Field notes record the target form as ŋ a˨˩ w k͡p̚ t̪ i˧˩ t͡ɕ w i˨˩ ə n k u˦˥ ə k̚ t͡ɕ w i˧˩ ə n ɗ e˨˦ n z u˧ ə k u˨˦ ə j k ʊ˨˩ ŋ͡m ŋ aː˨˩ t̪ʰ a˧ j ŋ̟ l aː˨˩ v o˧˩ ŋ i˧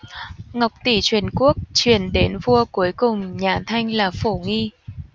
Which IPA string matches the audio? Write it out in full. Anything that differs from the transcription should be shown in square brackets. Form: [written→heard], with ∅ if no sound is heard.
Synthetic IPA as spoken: ŋ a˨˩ w k͡p̚ t̪ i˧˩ t͡ɕ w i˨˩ ə n k u˦˥ ə k̚ t͡ɕ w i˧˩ ə n ɗ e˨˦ n [z→v] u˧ ə k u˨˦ ə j k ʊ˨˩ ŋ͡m [ŋ→ɲ] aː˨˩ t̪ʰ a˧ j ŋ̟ l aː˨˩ [v→f] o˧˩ ŋ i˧